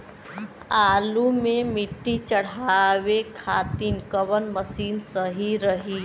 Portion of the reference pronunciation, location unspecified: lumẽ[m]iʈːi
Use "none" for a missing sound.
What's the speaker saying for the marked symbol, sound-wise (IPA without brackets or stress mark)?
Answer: m